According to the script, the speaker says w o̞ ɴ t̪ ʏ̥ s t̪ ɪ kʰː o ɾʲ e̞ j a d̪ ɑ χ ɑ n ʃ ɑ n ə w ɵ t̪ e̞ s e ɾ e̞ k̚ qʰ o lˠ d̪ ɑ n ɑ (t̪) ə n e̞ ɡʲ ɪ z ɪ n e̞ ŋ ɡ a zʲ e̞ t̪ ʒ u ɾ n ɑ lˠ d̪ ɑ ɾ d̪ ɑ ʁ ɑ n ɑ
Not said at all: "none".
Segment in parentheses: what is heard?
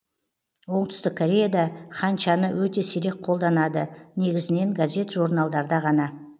d̪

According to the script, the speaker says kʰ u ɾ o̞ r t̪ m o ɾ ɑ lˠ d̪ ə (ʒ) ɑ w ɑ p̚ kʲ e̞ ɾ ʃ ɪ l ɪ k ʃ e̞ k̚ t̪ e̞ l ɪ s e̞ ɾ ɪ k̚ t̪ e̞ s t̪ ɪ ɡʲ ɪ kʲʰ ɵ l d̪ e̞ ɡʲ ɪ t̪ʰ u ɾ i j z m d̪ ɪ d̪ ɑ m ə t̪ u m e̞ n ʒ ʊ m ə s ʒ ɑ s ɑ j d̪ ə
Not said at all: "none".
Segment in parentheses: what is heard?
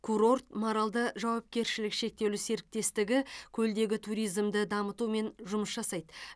ʒ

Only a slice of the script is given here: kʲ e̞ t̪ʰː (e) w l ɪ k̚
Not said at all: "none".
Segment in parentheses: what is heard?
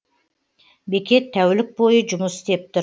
æ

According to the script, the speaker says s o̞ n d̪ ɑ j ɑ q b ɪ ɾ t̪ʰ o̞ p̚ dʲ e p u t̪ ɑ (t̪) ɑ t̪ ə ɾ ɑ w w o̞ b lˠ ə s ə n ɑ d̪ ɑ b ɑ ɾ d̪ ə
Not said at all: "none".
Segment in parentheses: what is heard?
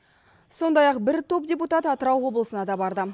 t̪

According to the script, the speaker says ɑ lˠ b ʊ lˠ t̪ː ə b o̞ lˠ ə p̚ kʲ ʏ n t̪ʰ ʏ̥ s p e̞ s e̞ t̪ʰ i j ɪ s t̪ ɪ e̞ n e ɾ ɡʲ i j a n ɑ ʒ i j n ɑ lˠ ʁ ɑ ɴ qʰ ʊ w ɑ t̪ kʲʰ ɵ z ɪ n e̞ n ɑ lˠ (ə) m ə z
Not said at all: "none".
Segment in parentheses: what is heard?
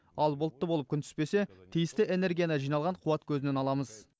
ɑ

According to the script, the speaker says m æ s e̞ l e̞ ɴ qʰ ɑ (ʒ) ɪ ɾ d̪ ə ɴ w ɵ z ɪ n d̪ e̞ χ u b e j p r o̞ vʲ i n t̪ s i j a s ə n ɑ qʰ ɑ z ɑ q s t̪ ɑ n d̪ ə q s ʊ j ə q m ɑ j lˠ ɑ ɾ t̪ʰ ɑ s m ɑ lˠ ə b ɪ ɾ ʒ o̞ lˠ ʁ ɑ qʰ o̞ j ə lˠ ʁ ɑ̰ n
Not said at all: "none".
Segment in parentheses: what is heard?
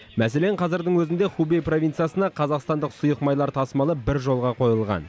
z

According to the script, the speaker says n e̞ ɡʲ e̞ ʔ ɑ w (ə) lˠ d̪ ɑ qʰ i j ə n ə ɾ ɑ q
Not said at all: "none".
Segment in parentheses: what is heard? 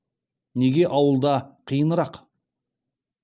ə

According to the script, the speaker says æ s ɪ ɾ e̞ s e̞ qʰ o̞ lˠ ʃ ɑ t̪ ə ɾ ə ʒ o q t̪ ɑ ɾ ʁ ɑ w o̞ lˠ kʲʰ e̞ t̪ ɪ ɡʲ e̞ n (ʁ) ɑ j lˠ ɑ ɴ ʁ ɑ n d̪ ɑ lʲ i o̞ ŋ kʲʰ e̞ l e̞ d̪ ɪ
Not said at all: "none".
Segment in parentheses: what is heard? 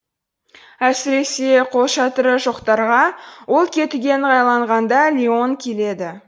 ʁ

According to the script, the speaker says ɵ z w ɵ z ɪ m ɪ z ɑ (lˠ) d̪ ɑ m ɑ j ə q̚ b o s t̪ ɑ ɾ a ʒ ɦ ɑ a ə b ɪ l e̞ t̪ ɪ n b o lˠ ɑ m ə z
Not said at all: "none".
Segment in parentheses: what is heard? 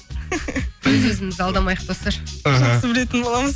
lˠ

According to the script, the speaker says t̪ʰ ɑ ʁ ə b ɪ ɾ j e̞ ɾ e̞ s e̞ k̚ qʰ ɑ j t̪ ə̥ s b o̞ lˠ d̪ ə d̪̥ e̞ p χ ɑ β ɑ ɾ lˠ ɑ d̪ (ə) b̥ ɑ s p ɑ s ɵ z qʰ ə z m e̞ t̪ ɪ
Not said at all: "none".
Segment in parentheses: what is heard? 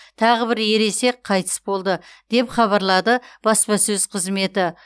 ə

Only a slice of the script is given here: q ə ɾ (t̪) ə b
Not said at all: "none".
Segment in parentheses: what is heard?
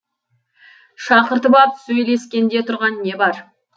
t̪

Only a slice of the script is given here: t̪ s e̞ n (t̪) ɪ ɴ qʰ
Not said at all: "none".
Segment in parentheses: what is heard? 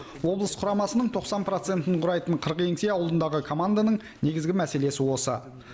t̪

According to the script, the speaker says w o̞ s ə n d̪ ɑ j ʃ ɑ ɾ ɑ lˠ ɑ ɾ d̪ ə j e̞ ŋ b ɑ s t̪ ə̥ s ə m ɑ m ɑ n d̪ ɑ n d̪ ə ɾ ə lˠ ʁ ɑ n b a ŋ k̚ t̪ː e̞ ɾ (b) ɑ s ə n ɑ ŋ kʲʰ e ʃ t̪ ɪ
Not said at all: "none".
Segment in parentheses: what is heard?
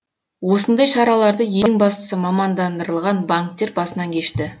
b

